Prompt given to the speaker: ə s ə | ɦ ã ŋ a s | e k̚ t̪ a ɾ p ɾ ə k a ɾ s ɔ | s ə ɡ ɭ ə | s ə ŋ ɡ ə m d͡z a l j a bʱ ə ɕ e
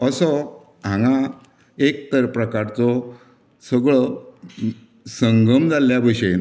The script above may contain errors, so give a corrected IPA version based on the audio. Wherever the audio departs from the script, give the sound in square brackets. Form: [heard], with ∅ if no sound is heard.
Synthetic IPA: ə s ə | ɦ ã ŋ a [∅] | e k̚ t̪ [ə] ɾ p ɾ ə k a ɾ [t͡s] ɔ | s ə ɡ ɭ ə | s ə ŋ ɡ ə m d͡z a l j a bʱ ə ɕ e

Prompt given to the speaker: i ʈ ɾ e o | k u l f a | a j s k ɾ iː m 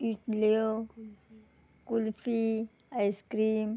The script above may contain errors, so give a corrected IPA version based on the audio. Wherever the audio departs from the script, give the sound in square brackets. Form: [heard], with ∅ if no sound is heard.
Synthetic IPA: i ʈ [l] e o | k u l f [i] | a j s k ɾ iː m

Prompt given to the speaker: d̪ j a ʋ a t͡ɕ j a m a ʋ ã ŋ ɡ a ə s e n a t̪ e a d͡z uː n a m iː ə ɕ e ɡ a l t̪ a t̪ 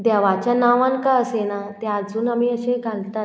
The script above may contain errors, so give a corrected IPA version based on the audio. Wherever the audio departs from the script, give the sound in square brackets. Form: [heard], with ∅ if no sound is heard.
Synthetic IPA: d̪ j a ʋ a t͡ɕ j a [n] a ʋ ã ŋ [k] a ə s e n a t̪ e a d͡z uː n a m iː ə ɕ e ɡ a l t̪ a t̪

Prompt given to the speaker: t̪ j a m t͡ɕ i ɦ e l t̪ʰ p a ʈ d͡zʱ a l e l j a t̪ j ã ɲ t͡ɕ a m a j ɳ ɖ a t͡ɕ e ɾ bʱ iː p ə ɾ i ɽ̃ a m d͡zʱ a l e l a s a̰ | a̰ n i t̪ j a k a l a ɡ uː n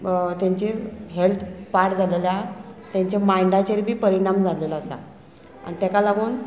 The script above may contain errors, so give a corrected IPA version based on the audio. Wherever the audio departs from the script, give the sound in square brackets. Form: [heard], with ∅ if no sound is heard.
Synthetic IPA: t̪ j a [ɲ] t͡ɕ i ɦ e l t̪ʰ p a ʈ d͡zʱ a l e l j a t̪ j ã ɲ t͡ɕ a m a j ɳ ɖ a t͡ɕ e ɾ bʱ iː p ə ɾ i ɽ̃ a m d͡zʱ a l e l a s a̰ | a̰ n i t̪ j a k a l a ɡ uː n

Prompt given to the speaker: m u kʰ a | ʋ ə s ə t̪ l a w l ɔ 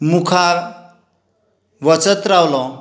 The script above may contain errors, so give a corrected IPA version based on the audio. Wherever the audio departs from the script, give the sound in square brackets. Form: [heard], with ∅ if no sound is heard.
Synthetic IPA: m u kʰ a | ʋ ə [t͡s] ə t̪ [ɾ] a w l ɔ

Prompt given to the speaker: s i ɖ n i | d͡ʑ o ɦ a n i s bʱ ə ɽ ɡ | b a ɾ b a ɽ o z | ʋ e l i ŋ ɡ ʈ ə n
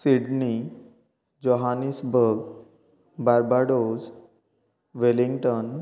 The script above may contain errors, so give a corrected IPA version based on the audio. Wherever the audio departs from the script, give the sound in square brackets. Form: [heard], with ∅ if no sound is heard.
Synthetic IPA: s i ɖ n i | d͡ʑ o ɦ a n i s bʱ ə [ɾ] ɡ | b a ɾ b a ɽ o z | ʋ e l i ŋ ɡ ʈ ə n

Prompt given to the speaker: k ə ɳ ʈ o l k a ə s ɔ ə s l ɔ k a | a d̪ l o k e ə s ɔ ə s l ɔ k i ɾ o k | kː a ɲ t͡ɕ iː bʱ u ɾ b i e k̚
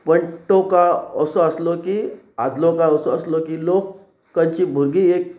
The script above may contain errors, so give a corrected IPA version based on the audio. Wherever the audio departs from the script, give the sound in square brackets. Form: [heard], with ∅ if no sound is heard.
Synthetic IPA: [p] ə ɳ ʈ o [∅] k a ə s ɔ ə s l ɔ k [i] | a d̪ l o k [a] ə s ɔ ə s l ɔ k i [l] o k | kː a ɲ t͡ɕ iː bʱ u ɾ [ɡ] i e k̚

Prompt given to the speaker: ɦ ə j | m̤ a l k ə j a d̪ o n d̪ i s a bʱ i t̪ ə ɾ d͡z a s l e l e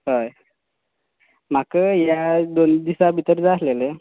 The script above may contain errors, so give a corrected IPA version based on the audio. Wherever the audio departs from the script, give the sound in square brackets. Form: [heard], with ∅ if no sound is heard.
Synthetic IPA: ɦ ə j | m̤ a [∅] k ə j a d̪ o n d̪ i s a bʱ i t̪ ə ɾ d͡z a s l e l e

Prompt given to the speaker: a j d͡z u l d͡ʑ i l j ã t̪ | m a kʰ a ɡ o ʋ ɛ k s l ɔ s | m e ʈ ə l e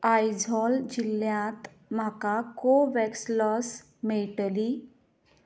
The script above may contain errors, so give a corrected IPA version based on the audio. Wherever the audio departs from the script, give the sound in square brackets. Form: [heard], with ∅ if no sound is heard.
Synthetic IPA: a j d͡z [ɔ] l d͡ʑ i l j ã t̪ | m a [k] a [k] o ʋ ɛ k s l ɔ s | m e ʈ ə l [i]

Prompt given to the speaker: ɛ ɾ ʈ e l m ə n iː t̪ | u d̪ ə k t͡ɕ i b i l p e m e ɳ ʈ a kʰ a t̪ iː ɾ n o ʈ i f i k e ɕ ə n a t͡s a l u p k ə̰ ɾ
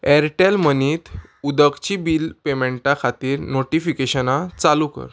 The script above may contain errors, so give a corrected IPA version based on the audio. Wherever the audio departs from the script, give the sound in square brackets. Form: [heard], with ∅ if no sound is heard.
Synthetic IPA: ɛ ɾ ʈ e l m ə n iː t̪ | u d̪ ə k t͡ɕ i b i l p e m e ɳ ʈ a kʰ a t̪ iː ɾ n o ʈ i f i k e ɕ ə n a t͡s a l u [∅] k ə̰ ɾ

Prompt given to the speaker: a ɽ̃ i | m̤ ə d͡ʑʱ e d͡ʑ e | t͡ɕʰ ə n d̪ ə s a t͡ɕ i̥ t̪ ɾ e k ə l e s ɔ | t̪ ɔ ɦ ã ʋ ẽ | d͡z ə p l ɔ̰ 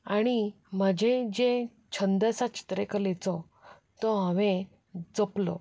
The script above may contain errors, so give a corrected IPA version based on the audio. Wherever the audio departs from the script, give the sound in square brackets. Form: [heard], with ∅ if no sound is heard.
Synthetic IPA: a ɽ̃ i | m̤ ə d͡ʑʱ e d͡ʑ e | t͡ɕʰ ə n d̪ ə s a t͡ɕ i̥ t̪ ɾ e k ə l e [t͡s] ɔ | t̪ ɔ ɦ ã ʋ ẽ | d͡z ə p l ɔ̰

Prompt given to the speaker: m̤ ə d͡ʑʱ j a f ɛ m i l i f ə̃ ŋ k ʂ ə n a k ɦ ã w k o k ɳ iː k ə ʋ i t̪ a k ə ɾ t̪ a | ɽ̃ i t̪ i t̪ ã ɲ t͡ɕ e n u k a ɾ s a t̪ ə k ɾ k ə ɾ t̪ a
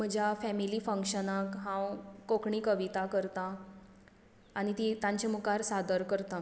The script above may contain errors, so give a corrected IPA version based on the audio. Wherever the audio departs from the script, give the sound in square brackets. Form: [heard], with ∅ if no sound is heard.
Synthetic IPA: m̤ ə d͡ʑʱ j a f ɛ m i l i f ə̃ ŋ k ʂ ə n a k ɦ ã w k o k ɳ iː k ə ʋ i t̪ a k ə ɾ t̪ a | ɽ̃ i t̪ i t̪ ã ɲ t͡ɕ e [m] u k a ɾ s a [d̪] ə [∅] ɾ k ə ɾ t̪ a

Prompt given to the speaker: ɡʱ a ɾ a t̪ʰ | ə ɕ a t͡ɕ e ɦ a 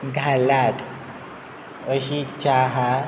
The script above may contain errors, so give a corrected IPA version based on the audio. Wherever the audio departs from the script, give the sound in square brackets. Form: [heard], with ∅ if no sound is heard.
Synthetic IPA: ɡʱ a [l] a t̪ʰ | ə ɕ [i] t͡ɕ [a] ɦ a

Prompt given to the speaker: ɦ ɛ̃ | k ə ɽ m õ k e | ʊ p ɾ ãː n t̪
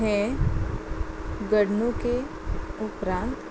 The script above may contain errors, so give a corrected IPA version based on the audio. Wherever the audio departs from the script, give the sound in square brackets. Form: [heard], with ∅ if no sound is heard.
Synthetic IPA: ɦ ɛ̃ | [ɡ] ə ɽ [n] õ k e | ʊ p ɾ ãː n t̪

